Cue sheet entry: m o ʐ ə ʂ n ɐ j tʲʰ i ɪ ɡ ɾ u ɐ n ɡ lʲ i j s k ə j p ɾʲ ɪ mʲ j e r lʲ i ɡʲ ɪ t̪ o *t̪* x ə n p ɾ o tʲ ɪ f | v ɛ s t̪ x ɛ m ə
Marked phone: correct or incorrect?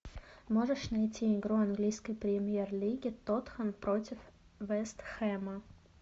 correct